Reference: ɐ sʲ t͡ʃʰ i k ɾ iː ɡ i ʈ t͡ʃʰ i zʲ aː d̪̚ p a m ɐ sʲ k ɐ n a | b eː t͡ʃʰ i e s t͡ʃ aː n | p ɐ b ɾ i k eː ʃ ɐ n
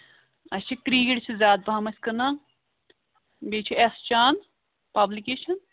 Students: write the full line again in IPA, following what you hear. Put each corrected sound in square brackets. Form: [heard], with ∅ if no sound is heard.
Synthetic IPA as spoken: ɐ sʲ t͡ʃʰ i k ɾ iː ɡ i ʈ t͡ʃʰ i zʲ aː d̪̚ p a m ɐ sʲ k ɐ n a | b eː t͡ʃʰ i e s t͡ʃ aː n | p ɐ b [l] i k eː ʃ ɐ n